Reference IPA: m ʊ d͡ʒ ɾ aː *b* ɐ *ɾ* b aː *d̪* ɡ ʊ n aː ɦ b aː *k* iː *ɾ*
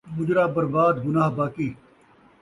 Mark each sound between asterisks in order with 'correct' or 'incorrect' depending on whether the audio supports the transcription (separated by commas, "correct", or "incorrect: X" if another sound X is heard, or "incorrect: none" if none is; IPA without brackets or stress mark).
correct, correct, correct, correct, incorrect: none